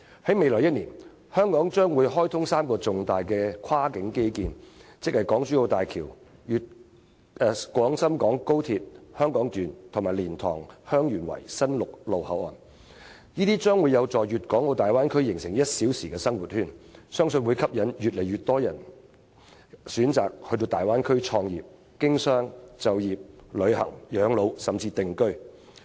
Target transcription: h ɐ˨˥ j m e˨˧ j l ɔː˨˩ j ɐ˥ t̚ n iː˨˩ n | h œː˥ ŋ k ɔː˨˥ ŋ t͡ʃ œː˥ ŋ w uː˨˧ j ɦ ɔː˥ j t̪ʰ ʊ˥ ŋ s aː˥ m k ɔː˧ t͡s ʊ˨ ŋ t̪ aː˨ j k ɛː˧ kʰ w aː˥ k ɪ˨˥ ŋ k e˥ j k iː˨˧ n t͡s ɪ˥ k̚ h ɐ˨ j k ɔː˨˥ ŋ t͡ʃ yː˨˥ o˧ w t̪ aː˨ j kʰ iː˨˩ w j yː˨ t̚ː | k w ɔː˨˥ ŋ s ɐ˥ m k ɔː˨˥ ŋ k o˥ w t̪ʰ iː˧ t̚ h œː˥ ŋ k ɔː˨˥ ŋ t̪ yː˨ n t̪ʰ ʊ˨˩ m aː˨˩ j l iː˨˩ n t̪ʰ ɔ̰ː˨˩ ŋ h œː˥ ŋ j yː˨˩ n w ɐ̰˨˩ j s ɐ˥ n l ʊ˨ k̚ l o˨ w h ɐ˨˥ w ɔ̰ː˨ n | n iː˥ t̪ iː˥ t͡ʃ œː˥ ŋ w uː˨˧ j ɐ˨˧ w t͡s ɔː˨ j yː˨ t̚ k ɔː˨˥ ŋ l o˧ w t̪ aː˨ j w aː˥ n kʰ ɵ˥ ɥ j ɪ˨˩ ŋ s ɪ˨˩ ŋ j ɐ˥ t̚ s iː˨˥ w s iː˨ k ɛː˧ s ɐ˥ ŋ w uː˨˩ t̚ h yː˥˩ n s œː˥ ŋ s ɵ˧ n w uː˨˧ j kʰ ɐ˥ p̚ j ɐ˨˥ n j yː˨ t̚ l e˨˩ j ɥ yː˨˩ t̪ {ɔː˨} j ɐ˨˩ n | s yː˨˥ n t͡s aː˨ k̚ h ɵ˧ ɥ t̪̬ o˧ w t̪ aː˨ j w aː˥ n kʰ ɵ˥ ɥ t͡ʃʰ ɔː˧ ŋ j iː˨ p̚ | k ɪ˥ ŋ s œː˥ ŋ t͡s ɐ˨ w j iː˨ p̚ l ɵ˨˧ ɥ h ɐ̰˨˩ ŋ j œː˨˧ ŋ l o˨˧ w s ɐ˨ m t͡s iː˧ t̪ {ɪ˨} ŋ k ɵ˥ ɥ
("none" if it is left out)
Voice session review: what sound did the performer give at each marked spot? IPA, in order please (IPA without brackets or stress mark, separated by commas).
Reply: ɔː˥, ɪ˨